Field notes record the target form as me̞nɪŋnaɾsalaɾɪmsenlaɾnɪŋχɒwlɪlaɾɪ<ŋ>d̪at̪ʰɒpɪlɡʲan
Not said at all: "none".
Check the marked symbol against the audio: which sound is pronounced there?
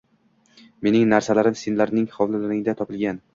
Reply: ŋ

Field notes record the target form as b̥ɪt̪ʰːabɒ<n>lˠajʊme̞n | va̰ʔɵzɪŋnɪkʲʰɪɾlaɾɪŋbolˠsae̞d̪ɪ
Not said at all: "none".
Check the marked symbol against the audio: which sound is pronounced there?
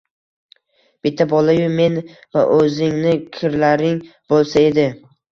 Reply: none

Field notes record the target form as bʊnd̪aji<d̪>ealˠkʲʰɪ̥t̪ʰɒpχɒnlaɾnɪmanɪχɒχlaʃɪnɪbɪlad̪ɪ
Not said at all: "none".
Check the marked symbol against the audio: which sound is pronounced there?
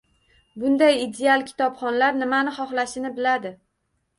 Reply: d̪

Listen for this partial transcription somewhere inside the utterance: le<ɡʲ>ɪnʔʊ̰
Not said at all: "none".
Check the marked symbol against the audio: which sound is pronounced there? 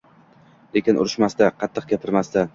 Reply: kʲ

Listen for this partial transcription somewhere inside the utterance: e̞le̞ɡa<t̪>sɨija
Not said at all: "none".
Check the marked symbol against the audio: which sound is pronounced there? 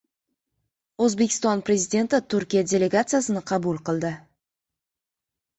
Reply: t̪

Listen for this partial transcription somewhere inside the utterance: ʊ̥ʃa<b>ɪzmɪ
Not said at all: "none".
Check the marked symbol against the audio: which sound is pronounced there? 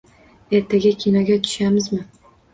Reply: m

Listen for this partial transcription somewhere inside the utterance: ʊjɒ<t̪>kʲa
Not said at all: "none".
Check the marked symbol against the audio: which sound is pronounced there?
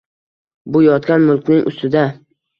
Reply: t̪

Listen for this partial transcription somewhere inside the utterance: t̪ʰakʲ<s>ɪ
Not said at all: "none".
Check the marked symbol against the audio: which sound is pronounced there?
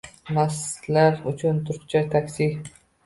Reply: s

